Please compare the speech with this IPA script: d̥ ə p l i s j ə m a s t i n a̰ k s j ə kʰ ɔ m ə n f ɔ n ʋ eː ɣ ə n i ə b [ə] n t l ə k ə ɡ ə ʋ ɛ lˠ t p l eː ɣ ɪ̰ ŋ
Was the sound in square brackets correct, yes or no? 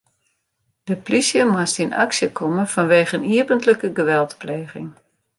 yes